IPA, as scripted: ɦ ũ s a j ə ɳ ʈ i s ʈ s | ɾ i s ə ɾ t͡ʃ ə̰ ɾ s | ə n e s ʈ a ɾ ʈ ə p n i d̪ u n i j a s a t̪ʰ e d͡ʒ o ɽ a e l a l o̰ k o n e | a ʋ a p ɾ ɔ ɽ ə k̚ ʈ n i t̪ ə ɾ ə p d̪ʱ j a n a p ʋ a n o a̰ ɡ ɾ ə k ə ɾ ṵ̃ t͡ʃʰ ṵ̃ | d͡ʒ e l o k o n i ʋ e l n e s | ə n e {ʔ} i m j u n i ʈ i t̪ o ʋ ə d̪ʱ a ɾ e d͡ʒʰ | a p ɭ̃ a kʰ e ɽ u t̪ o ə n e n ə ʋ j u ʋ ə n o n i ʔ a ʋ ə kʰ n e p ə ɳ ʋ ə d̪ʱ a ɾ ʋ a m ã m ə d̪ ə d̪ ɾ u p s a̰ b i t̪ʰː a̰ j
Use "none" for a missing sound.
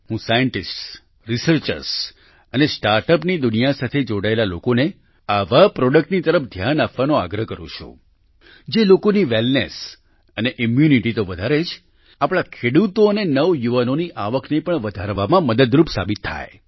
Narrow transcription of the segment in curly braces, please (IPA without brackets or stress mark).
ʔ